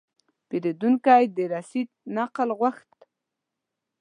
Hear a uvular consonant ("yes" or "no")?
yes